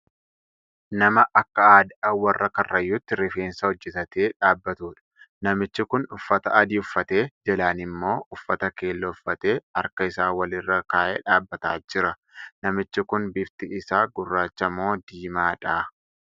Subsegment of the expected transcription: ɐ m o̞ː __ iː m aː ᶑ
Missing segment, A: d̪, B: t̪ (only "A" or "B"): A